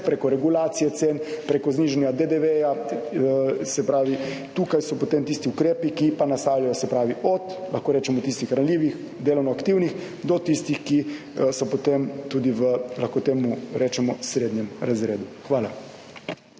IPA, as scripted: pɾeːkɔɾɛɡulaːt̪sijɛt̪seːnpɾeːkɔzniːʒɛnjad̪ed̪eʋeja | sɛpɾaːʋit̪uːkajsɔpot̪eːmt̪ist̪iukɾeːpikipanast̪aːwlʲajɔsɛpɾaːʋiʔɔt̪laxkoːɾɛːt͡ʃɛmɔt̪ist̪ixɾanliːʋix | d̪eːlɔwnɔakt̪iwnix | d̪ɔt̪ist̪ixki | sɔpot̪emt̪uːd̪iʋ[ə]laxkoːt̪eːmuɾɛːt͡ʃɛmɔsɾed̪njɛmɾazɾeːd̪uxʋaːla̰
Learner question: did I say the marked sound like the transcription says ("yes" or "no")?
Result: yes